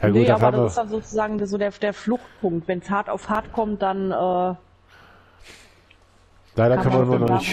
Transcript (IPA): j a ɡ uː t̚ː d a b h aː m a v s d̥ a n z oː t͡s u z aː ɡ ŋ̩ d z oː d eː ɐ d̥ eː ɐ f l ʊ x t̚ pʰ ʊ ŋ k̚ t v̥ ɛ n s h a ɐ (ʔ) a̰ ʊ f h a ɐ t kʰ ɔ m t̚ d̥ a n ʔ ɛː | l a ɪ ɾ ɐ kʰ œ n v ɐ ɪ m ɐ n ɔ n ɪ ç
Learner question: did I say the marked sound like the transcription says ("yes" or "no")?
no